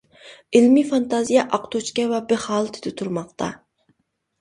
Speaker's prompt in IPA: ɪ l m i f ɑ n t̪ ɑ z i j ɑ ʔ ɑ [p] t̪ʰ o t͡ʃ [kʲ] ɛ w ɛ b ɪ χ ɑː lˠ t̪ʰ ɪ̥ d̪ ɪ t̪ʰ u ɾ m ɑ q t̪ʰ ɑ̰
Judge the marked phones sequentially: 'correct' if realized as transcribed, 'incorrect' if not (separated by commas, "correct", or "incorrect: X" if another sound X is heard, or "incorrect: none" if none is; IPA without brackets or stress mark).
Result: incorrect: q, correct